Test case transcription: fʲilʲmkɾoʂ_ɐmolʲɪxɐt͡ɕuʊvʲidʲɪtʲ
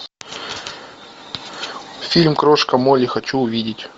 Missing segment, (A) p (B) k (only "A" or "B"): B